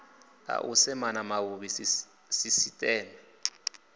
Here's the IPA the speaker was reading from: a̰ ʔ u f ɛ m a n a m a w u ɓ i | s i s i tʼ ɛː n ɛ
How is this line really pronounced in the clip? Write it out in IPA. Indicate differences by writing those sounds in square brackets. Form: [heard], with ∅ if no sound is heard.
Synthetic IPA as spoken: a̰ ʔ u [s] ɛ m a n a m a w u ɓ i | s i s i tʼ ɛː n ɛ